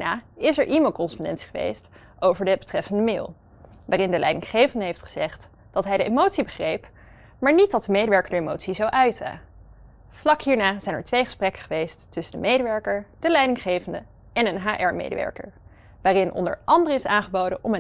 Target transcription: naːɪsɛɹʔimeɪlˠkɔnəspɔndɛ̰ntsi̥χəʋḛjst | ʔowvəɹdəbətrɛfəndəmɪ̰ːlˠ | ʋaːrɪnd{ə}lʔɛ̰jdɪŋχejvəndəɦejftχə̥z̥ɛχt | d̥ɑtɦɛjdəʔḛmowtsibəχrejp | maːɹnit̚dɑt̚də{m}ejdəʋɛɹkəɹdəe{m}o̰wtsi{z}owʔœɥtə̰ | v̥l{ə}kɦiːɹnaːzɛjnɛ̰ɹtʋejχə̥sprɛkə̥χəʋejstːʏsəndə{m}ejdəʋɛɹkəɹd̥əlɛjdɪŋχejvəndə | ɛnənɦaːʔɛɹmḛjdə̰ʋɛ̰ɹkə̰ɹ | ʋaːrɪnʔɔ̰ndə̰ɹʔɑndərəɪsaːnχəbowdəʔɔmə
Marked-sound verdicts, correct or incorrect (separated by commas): correct, correct, correct, correct, incorrect, correct